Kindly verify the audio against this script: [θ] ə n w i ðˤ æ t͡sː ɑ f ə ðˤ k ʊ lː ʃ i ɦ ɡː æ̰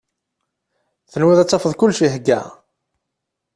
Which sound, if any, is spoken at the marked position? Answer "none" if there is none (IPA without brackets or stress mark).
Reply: θ